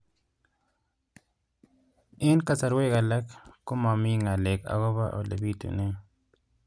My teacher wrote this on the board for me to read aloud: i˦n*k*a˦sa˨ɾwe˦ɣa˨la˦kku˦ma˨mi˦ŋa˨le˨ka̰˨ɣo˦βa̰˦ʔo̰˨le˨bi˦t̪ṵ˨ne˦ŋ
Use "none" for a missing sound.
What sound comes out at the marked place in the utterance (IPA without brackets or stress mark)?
k